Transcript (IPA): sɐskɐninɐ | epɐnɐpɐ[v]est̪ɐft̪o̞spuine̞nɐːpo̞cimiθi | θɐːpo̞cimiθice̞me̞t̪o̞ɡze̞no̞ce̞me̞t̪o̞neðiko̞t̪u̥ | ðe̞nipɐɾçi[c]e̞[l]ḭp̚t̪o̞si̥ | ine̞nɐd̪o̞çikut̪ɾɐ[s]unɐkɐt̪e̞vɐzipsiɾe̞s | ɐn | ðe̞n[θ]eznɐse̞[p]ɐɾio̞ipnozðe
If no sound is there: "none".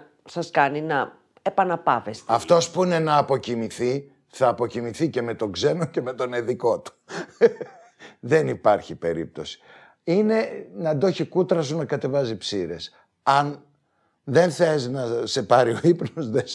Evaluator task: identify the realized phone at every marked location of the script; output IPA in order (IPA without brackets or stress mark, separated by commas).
v, p, ɾ, s, θ, p